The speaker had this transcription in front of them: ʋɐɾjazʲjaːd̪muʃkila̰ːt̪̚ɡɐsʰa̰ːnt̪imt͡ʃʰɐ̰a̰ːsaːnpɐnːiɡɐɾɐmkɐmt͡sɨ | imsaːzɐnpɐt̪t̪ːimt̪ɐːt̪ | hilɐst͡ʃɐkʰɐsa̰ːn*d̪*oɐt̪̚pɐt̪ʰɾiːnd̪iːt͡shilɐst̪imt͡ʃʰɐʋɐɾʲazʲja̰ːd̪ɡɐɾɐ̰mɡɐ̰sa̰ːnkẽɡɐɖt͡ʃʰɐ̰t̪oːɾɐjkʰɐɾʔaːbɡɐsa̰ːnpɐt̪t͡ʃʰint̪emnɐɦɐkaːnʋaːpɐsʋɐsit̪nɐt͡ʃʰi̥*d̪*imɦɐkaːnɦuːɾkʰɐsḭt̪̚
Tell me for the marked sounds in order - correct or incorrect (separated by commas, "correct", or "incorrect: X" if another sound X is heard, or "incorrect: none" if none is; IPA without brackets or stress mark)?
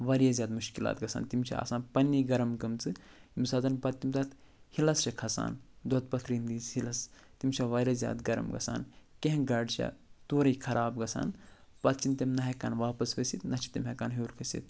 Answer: correct, incorrect: t̪